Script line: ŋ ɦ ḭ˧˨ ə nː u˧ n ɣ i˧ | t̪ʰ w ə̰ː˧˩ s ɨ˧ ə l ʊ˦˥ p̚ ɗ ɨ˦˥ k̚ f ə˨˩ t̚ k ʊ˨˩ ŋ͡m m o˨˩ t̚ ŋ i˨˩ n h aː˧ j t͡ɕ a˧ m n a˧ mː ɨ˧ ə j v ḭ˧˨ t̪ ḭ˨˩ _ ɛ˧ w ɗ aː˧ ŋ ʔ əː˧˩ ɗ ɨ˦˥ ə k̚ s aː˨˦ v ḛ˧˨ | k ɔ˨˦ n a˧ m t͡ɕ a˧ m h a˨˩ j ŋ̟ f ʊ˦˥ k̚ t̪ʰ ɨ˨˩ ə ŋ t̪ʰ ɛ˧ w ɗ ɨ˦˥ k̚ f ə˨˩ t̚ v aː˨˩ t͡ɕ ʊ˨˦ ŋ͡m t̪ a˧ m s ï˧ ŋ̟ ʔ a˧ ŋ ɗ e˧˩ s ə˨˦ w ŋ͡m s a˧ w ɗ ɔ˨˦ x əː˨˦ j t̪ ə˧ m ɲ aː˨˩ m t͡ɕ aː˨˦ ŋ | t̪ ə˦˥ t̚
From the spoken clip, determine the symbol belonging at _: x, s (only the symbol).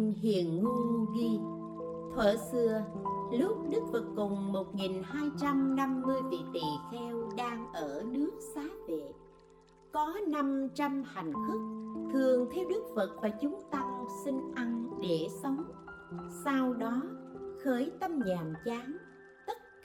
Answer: x